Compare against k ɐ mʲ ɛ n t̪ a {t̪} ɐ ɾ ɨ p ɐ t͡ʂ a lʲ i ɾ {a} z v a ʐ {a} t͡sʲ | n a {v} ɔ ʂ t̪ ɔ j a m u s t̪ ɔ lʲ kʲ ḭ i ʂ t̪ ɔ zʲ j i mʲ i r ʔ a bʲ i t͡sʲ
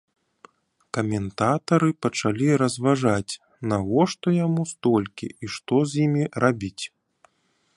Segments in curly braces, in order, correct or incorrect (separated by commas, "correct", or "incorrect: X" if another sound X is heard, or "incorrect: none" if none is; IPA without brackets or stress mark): correct, incorrect: ɐ, correct, incorrect: ɣ